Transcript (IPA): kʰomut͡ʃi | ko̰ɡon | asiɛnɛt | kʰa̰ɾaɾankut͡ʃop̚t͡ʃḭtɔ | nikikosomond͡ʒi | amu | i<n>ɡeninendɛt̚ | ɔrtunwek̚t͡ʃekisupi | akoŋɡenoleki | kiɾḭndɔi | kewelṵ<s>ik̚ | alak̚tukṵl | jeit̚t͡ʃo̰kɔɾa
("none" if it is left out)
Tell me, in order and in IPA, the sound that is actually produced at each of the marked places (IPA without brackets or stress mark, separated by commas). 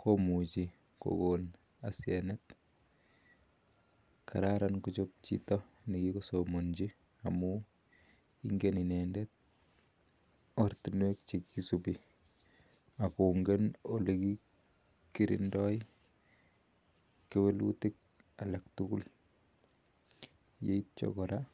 ŋ, t